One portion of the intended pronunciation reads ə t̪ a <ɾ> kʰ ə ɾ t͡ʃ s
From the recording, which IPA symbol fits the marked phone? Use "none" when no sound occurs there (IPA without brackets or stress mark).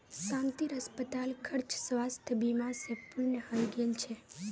l